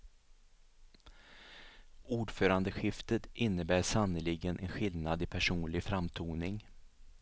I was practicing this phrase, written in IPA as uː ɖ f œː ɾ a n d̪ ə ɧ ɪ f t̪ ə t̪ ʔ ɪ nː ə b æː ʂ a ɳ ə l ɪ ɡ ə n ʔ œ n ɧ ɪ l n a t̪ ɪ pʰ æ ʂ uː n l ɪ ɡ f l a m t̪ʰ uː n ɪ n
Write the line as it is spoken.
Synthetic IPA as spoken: uː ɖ f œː ɾ a n d̪ ə ɧ ɪ f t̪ ə t̪ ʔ ɪ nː ə b æː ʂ a n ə l ɪ ɡ ə n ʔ ɛ n ɧ ɪ l n a d̪ ɪ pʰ æ ʂ uː n l ɪ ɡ f ɾ a m t̪ʰ uː n ɪ ŋ